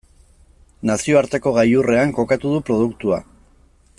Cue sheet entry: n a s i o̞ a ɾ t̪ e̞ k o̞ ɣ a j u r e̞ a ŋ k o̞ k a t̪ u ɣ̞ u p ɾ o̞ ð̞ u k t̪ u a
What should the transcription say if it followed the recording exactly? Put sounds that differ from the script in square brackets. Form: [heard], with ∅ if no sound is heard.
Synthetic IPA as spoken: n a s i o̞ a ɾ t̪ e̞ k o̞ ɣ a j u r e̞ a ŋ k o̞ k a t̪ u [ð̞] u p ɾ o̞ ð̞ u k t̪ u a